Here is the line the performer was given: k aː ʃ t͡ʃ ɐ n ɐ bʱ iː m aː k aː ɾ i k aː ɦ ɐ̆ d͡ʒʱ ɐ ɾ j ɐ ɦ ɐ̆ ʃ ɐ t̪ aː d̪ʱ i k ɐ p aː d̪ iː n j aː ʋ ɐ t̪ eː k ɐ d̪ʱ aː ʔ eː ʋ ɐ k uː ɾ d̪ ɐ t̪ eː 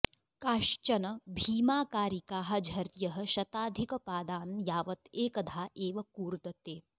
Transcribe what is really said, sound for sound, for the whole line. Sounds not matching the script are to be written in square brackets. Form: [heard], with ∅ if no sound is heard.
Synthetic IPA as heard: k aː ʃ t͡ʃ ɐ n ɐ bʱ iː m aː k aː ɾ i k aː ɦ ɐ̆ d͡ʒʱ ɐ ɾ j ɐ ɦ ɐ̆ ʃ ɐ t̪ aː d̪ʱ i k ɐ p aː d̪ [aː] n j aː ʋ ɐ t̪ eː k ɐ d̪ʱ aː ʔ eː ʋ ɐ k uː ɾ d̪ ɐ t̪ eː